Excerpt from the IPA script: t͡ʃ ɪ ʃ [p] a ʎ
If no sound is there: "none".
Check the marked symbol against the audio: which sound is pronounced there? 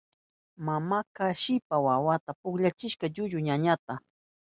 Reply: k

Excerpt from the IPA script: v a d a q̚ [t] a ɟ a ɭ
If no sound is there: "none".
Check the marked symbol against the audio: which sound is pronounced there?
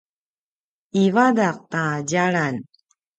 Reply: t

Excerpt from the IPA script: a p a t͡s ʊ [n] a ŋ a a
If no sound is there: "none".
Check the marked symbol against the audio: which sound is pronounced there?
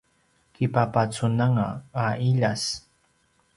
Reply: n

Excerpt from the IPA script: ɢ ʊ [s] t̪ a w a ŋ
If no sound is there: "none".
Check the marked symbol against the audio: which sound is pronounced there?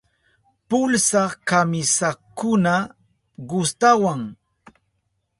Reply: s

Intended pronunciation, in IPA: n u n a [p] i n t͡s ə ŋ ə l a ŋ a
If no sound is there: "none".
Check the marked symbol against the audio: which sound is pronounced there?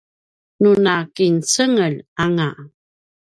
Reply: k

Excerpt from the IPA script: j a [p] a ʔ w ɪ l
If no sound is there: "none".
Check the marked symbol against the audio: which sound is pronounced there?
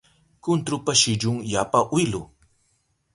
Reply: p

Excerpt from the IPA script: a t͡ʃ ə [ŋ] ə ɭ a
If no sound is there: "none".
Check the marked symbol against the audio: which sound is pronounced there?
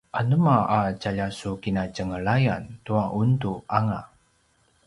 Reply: ŋ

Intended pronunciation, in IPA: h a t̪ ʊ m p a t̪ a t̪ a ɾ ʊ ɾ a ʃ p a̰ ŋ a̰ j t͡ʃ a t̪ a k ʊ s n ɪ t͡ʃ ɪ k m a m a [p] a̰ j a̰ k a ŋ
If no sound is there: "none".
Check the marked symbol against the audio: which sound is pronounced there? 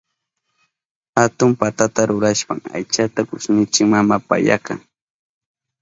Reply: p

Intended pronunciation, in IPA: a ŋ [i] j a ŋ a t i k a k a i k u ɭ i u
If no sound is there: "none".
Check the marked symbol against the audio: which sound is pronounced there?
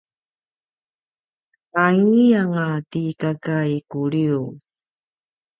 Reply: i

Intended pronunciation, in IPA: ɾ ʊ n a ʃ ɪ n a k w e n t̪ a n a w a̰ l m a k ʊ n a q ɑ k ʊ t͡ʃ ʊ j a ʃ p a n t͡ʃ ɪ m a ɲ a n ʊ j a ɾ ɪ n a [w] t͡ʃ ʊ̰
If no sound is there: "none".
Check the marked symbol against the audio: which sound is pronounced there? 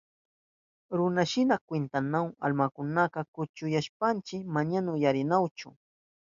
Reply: w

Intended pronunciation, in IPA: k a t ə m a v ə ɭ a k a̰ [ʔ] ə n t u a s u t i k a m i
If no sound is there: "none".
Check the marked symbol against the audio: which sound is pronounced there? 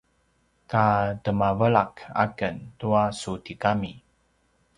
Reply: k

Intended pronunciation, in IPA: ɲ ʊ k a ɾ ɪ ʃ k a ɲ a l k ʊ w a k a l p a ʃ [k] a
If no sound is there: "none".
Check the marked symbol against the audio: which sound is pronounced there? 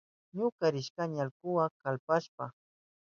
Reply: p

